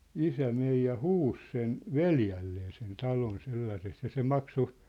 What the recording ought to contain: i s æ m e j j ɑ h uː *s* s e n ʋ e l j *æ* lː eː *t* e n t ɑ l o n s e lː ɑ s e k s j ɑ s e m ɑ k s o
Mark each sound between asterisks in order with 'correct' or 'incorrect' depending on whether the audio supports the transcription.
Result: correct, correct, incorrect: s

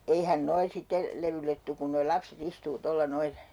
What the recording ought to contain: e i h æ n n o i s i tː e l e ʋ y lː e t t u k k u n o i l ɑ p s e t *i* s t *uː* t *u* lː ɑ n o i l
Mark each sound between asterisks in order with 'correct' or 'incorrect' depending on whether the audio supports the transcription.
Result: correct, correct, incorrect: o

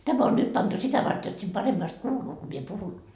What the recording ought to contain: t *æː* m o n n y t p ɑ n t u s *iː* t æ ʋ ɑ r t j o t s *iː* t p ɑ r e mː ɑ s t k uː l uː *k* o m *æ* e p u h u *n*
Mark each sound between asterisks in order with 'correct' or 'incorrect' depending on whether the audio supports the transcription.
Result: incorrect: æ, incorrect: i, incorrect: i, correct, incorrect: i, correct

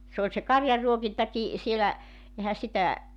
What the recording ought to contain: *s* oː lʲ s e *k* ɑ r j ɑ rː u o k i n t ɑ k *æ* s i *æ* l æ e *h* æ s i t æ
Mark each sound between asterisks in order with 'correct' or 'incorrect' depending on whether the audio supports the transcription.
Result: correct, correct, incorrect: i, incorrect: e, correct

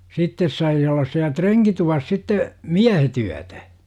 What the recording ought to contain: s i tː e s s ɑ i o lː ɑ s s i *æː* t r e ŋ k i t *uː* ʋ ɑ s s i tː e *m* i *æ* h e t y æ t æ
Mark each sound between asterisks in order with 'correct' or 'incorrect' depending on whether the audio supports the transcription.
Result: incorrect: æ, incorrect: u, correct, correct

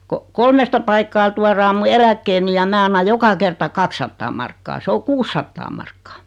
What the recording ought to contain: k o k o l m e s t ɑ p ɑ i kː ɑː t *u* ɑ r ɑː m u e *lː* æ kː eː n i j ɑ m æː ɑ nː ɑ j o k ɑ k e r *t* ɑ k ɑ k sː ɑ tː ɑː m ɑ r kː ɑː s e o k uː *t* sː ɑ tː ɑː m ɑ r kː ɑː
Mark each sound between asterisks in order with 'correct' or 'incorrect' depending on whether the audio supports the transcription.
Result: correct, incorrect: l, correct, incorrect: none

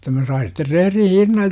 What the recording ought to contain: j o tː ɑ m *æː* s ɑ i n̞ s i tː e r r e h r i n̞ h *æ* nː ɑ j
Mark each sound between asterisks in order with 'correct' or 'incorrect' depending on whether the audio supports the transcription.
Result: incorrect: æ, incorrect: i

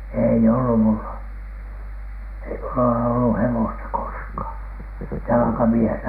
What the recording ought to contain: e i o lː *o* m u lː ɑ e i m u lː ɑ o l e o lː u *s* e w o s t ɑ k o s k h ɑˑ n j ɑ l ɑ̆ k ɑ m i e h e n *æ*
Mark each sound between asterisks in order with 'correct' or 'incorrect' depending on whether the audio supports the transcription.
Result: incorrect: u, incorrect: h, correct

